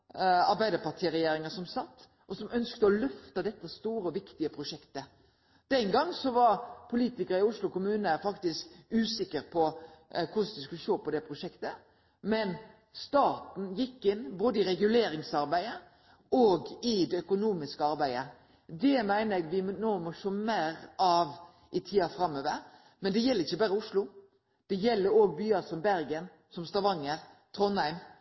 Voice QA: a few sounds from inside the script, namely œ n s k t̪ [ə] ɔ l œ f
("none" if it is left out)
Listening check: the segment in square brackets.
ə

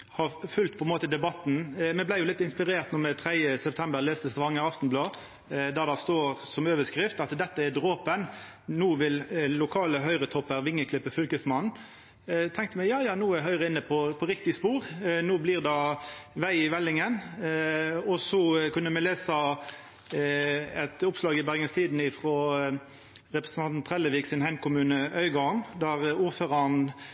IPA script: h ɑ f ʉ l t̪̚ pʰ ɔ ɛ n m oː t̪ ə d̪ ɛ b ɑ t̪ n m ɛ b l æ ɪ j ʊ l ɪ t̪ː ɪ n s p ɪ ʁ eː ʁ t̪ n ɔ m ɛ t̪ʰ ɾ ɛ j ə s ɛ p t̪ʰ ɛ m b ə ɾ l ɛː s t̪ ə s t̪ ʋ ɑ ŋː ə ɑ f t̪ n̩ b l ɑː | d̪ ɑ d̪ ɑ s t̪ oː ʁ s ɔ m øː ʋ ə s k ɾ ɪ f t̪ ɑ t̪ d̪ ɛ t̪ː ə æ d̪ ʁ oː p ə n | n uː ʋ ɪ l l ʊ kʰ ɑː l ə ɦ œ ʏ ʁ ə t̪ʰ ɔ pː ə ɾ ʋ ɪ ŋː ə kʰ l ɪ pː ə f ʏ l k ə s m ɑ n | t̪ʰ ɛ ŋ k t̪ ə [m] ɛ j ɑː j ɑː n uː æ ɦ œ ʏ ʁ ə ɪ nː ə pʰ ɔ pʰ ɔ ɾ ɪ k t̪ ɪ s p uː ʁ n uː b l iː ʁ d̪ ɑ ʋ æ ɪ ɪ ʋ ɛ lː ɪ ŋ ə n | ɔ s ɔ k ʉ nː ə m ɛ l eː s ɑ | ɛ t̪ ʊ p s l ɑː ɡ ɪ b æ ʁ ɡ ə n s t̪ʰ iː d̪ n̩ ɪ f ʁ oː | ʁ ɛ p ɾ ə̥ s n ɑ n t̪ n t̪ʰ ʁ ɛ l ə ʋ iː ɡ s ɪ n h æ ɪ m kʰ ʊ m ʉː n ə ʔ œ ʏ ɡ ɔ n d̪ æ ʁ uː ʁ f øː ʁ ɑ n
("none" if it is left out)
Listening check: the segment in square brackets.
m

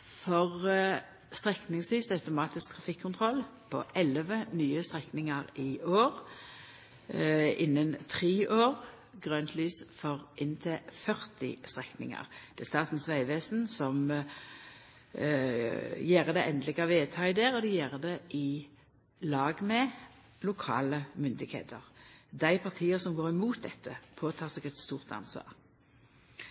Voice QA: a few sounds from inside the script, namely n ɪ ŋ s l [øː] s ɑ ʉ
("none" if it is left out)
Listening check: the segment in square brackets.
yː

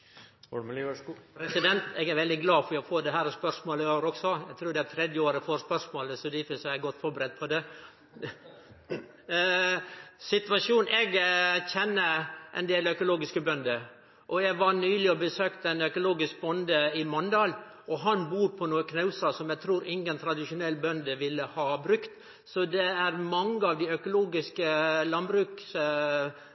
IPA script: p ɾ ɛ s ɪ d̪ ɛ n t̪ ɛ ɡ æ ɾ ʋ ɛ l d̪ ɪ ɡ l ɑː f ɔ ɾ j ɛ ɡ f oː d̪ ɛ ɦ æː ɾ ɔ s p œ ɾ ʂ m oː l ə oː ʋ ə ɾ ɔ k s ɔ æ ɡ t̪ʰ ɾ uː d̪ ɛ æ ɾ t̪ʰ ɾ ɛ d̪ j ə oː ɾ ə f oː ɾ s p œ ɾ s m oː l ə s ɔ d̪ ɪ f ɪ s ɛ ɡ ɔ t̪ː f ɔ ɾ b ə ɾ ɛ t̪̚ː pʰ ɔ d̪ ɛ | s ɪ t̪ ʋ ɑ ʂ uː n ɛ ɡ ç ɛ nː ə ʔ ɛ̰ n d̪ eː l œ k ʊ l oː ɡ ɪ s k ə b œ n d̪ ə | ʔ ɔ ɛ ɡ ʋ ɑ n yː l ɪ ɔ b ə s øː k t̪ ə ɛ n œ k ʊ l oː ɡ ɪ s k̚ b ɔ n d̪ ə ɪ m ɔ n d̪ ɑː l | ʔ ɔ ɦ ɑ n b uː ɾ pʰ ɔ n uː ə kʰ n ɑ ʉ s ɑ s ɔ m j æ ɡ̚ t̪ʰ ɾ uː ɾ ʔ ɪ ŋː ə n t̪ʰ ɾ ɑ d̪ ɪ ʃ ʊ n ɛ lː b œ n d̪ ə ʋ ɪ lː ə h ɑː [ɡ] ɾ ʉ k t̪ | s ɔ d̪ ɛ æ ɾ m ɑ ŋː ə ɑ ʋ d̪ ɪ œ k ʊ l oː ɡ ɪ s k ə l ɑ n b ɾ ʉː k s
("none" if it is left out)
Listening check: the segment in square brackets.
b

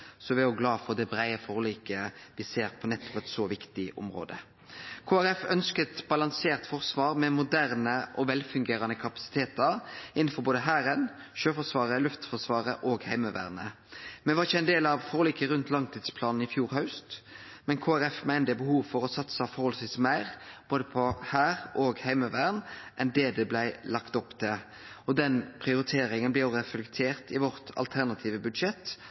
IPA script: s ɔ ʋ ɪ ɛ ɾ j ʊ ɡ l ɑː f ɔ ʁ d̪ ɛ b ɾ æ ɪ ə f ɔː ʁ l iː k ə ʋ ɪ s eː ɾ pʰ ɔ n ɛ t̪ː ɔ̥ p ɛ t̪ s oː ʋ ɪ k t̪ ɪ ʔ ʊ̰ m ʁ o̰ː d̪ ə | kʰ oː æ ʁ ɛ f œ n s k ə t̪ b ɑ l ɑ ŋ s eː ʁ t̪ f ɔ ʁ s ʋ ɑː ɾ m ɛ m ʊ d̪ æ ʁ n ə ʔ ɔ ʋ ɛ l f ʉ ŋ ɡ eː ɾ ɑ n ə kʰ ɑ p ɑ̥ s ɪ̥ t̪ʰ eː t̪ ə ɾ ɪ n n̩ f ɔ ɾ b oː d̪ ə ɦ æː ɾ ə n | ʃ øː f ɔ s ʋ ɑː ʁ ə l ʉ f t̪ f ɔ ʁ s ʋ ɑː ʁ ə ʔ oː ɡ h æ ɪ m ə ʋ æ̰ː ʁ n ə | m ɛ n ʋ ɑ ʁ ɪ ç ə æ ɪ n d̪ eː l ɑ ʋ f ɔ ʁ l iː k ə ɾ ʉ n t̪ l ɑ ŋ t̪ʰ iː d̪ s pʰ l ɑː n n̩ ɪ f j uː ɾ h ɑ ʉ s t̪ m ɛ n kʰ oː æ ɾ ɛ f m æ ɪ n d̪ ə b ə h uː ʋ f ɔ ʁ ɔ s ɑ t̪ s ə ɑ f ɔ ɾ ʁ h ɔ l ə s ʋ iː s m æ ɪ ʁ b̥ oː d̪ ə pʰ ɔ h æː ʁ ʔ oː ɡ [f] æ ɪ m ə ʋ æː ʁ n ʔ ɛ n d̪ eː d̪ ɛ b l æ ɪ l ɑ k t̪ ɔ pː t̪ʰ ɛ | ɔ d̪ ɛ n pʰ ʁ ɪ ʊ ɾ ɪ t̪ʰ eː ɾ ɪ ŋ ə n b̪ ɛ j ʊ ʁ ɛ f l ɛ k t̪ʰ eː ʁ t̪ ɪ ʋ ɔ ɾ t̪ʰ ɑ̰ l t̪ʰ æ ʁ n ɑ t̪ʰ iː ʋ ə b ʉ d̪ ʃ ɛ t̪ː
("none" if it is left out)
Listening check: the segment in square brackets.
h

